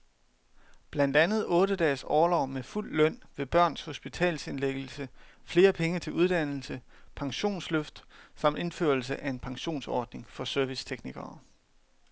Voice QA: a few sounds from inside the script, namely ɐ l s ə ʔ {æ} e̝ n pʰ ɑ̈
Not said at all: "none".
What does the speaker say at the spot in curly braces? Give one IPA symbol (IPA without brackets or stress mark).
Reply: æ